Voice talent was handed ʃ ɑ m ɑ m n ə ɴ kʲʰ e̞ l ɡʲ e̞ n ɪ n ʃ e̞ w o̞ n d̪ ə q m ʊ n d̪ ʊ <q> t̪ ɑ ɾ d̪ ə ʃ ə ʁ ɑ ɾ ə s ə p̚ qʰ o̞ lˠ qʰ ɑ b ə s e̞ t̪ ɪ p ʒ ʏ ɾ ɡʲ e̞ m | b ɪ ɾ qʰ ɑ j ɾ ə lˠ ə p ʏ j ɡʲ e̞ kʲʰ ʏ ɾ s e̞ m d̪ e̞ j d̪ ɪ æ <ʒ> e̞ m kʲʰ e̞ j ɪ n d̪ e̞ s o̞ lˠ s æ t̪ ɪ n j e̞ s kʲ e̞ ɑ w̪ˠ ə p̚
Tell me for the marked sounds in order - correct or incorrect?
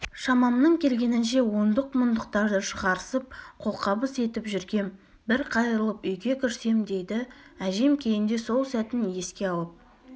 correct, correct

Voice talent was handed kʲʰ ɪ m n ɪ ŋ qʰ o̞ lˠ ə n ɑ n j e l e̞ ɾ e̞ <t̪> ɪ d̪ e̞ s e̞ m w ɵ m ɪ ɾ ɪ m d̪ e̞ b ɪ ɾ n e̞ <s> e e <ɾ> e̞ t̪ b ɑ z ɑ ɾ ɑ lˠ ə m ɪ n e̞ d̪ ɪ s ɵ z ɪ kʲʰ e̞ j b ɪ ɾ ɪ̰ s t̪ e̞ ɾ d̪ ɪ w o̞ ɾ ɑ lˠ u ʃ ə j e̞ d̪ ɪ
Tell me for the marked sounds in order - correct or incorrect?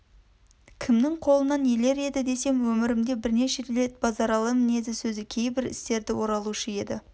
incorrect: d̪, incorrect: ʃ, incorrect: l

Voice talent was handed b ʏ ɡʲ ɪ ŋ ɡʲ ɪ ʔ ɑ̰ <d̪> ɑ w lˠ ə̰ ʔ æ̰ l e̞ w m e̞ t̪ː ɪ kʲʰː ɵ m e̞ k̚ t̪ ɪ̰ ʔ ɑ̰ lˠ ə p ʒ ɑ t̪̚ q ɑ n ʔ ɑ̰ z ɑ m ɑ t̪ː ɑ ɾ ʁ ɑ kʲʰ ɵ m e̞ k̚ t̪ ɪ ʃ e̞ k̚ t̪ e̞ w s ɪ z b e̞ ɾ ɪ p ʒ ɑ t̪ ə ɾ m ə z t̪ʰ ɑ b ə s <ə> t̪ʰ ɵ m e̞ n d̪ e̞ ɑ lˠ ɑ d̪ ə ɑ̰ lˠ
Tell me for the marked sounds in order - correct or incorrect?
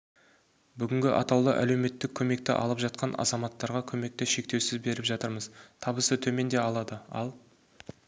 incorrect: t̪, correct

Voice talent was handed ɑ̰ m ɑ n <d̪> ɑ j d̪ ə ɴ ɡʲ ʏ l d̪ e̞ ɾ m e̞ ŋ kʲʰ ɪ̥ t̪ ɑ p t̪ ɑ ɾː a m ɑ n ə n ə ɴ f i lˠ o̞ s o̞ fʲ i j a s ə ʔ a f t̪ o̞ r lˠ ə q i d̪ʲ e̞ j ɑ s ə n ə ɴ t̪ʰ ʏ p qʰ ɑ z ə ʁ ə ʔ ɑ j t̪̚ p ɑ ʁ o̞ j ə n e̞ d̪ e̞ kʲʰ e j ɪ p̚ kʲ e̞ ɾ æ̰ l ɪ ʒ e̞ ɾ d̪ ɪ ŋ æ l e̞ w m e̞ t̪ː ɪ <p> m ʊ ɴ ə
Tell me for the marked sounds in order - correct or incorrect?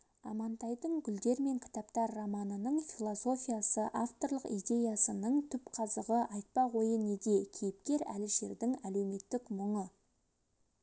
incorrect: t̪, incorrect: k

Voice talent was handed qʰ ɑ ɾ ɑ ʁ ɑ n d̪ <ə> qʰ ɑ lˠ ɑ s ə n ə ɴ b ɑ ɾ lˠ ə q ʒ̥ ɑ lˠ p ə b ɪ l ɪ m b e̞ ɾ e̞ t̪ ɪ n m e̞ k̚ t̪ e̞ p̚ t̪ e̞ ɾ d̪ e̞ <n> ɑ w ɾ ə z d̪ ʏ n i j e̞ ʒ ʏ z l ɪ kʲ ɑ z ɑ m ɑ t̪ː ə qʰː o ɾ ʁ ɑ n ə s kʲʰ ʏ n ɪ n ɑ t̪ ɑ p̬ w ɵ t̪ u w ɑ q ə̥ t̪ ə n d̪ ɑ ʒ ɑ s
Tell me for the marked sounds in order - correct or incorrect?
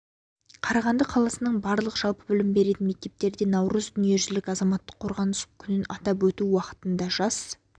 correct, correct

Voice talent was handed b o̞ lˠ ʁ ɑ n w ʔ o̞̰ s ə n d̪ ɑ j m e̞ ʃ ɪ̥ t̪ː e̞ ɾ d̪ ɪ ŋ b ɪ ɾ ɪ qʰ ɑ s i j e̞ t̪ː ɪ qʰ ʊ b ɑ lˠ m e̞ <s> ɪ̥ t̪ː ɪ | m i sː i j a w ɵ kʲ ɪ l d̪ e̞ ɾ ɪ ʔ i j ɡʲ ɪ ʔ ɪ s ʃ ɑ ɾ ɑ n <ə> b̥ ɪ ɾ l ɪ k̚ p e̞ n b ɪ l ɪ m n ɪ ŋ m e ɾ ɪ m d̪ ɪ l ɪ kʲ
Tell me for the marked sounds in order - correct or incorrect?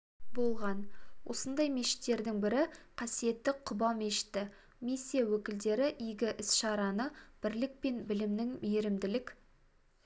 incorrect: ʃ, correct

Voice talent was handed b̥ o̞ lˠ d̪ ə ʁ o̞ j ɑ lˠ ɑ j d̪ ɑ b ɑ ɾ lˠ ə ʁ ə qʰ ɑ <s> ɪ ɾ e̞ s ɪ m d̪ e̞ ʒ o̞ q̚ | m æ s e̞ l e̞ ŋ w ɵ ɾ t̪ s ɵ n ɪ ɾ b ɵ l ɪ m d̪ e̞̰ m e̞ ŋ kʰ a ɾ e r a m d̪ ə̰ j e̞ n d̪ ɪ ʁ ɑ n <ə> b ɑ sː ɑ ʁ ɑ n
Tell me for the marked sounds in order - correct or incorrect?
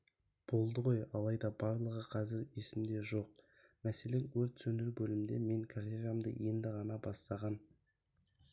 incorrect: z, incorrect: ɑ

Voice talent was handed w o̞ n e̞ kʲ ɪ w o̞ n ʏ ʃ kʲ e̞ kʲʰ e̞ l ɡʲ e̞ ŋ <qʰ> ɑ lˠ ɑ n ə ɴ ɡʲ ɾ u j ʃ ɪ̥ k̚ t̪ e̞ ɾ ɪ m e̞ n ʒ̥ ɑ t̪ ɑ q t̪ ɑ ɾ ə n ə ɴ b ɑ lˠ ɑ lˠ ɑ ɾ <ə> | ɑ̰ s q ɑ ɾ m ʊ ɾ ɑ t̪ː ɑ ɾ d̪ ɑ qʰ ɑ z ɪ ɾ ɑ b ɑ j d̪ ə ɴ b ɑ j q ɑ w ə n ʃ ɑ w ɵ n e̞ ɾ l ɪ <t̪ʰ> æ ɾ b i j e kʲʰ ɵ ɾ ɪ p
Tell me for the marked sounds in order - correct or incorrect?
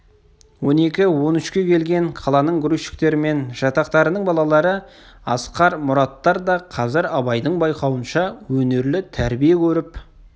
correct, correct, correct

